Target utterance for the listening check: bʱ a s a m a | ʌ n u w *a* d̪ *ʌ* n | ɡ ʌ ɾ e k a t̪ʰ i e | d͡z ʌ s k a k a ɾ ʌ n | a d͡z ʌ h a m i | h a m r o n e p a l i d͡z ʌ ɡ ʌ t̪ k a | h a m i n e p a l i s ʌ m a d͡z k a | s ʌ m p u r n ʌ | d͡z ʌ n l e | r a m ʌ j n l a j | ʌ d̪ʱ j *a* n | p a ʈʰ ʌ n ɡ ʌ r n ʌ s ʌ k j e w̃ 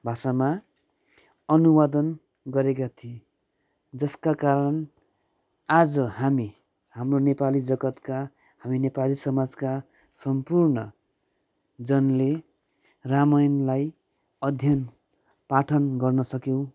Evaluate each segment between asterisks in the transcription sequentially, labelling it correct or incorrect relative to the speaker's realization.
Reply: correct, correct, incorrect: ʌ

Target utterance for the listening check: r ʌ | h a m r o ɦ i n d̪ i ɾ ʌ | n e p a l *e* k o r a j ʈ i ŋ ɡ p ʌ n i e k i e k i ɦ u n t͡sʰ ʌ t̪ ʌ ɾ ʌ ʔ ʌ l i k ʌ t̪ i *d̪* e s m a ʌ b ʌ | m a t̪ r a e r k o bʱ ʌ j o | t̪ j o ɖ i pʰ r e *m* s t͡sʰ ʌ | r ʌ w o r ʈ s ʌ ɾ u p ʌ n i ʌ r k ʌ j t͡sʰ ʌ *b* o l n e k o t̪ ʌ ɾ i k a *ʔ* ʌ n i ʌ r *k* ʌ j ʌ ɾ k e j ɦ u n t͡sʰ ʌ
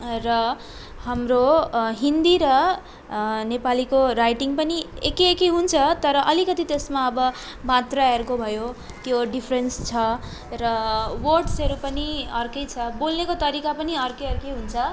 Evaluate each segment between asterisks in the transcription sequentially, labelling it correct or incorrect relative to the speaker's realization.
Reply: incorrect: i, incorrect: t̪, incorrect: n, correct, incorrect: p, correct

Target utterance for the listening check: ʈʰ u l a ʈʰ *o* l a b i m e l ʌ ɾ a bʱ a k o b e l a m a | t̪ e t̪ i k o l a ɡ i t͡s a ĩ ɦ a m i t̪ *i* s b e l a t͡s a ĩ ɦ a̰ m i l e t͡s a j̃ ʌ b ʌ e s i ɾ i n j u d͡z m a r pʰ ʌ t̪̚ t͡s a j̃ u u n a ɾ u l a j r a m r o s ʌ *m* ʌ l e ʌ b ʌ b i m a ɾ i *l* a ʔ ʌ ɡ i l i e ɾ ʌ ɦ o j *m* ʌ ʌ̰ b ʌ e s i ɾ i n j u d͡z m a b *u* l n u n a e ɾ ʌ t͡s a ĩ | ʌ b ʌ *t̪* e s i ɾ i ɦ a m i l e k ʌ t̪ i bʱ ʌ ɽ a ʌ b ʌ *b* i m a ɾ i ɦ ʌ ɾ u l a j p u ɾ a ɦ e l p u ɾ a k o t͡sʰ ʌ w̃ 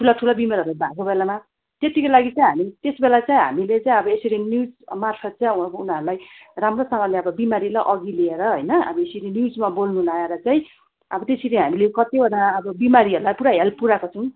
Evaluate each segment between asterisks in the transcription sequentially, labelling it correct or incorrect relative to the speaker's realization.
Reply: incorrect: u, incorrect: e, incorrect: ŋ, correct, incorrect: n, incorrect: o, correct, correct

